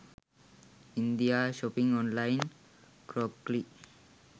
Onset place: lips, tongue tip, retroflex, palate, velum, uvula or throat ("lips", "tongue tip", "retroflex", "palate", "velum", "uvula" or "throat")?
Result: tongue tip